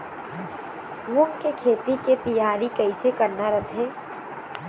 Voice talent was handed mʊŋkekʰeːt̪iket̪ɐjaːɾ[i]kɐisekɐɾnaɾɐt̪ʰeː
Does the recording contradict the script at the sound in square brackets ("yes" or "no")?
no